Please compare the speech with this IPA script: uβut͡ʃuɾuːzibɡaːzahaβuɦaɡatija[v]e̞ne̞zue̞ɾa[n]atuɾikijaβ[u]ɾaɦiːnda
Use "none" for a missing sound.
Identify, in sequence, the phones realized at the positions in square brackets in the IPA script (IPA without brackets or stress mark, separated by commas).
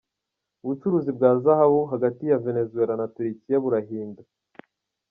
v, n, u